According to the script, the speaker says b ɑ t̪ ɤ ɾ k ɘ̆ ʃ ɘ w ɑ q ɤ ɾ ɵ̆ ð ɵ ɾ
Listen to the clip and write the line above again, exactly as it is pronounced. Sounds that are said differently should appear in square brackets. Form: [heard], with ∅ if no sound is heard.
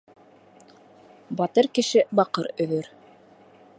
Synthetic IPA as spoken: b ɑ t̪ ɤ ɾ k ɘ̆ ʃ ɘ [b] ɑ q ɤ ɾ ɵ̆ ð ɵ ɾ

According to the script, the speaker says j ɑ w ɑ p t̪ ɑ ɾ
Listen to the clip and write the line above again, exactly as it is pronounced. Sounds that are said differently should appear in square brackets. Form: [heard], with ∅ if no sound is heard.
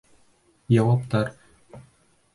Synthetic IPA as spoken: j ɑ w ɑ p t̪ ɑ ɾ

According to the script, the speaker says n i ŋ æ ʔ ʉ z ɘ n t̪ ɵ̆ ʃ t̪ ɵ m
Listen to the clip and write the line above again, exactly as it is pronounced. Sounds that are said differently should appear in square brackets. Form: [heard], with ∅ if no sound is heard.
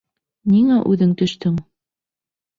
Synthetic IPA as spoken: n i ŋ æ ʔ ʉ [ð] ɘ [ŋ] t̪ ɵ̆ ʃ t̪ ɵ [ŋ]

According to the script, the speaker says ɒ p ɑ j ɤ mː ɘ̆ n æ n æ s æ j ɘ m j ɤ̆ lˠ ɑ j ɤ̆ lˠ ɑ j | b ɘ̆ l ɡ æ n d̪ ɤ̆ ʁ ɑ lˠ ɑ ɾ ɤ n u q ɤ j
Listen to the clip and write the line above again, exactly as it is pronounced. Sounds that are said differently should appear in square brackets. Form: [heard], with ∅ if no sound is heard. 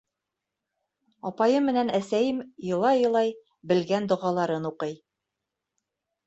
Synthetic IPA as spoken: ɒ p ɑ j ɤ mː ɘ̆ n æ n æ s æ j ɘ m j ɤ̆ lˠ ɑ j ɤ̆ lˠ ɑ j | b ɘ̆ l ɡ æ n d̪ [ŏ] ʁ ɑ lˠ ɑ ɾ ɤ n u q ɤ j

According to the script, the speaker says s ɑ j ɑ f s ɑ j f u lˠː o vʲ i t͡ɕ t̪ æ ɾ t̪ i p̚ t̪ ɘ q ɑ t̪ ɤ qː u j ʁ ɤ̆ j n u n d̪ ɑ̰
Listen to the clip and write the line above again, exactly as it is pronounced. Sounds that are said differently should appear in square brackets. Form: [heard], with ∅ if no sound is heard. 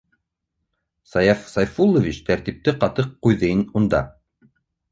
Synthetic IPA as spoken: s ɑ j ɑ f s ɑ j f u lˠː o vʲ i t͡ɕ t̪ æ ɾ t̪ i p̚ t̪ ɘ q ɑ t̪ ɤ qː u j [ð] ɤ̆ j n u n d̪ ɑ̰

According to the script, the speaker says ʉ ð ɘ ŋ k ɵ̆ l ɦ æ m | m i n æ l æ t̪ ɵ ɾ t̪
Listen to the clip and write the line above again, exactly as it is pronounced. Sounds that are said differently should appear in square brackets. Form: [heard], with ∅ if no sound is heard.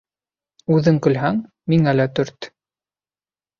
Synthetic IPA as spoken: ʉ ð ɘ ŋ k ɵ̆ l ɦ æ [ŋ] | m i [ŋ] æ l æ t̪ ɵ ɾ t̪

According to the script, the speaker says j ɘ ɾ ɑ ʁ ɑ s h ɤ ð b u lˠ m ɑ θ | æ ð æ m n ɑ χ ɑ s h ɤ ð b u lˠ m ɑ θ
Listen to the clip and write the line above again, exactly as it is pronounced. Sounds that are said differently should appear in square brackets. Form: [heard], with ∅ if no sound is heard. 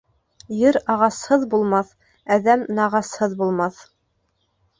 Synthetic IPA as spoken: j ɘ ɾ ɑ ʁ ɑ s h ɤ ð b u lˠ m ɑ θ | æ ð æ m n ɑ [ʁ] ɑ s h ɤ ð b u lˠ m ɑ θ

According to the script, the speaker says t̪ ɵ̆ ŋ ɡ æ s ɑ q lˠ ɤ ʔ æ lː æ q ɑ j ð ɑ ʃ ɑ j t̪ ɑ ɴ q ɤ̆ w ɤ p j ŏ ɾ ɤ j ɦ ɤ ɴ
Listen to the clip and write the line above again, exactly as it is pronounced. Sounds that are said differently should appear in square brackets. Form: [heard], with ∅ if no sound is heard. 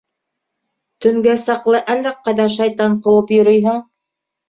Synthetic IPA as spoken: t̪ ɵ̆ ŋ ɡ æ s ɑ q lˠ ɤ ʔ æ lː æ q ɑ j ð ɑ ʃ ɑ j t̪ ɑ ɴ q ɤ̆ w ɤ p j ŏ ɾ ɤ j ɦ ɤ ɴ

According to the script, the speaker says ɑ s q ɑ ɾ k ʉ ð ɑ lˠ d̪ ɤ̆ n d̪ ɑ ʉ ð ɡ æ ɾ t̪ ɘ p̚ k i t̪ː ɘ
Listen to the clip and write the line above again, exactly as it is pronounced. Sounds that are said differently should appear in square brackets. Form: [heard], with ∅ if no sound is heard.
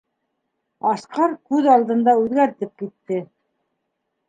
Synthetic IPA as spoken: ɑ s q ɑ ɾ k ʉ ð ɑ lˠ d̪ ɤ̆ n d̪ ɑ ʉ ð ɡ æ ɾ t̪ ɘ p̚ k i t̪ː ɘ

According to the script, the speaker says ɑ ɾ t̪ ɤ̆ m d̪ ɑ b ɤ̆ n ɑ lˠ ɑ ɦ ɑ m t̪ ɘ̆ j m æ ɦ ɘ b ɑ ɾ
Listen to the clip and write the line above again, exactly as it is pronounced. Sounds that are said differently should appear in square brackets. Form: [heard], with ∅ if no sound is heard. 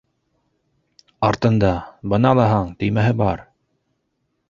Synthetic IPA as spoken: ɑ ɾ t̪ ɤ̆ [n] d̪ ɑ b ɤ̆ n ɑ lˠ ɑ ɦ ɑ [ɴ] t̪ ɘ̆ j m æ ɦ ɘ b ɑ ɾ

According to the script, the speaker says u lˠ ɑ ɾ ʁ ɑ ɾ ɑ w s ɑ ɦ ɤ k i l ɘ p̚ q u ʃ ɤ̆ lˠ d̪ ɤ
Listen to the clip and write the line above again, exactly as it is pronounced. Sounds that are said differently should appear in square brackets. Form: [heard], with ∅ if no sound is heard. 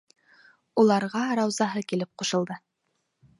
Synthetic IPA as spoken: u lˠ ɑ ɾ ʁ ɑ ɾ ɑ w [z] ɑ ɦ ɤ k i l ɘ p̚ q u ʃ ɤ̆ lˠ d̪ ɤ

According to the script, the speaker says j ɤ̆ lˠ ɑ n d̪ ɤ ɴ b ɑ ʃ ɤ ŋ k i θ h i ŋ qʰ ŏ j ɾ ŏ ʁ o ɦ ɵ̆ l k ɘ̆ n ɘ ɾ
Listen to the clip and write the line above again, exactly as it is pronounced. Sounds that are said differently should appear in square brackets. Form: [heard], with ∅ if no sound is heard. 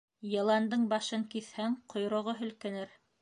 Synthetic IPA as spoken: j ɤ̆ lˠ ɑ n d̪ ɤ ɴ b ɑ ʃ ɤ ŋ k i θ h [æ] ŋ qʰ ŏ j ɾ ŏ ʁ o ɦ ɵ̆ l k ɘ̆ n ɘ ɾ

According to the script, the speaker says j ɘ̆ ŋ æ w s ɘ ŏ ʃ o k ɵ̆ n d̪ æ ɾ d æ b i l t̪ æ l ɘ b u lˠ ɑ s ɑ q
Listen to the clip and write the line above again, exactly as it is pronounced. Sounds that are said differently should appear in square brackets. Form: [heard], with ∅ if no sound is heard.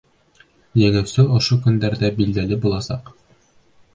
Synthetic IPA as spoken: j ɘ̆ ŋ æ w s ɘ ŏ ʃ o k ɵ̆ n d̪ æ ɾ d æ b i l [d̪] æ l ɘ b u lˠ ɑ s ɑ q

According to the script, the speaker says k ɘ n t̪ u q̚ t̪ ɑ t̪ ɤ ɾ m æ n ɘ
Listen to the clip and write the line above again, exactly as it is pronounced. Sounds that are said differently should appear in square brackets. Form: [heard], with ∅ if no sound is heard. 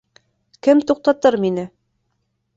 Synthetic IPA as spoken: k ɘ [m] t̪ u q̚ t̪ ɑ t̪ ɤ ɾ m [i] n ɘ

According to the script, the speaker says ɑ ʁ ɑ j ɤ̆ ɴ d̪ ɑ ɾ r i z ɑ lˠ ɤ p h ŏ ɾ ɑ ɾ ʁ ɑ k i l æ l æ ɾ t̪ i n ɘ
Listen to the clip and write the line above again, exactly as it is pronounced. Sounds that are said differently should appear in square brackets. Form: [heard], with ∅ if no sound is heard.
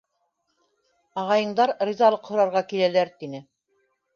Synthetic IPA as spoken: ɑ ʁ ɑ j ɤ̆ ɴ d̪ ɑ ɾ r i z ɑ lˠ ɤ [q] h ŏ ɾ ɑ ɾ ʁ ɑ k i l æ l æ ɾ t̪ i n ɘ

